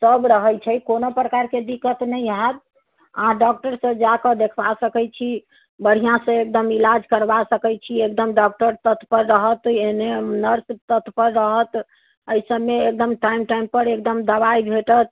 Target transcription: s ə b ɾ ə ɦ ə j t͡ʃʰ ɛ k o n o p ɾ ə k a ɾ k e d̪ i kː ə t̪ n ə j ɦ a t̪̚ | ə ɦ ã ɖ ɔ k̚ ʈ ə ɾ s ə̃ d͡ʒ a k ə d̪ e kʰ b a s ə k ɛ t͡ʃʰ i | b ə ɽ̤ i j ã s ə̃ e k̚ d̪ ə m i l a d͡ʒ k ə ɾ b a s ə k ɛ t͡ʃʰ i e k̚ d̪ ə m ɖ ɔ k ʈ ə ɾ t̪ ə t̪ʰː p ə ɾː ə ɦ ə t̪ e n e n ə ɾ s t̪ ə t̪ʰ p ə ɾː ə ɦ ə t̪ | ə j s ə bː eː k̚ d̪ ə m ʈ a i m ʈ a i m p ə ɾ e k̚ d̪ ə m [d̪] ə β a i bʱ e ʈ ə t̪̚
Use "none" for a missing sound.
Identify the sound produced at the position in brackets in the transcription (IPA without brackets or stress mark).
d̪